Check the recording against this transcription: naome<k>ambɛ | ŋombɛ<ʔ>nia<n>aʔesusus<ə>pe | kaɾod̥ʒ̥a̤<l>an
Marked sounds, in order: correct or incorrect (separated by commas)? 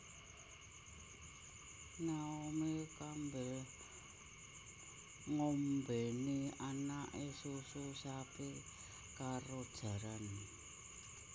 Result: correct, incorrect, correct, incorrect, incorrect